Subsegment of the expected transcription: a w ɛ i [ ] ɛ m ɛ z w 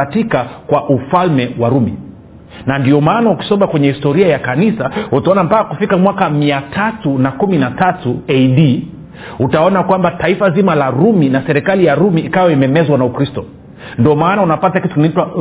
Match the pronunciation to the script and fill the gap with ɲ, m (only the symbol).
m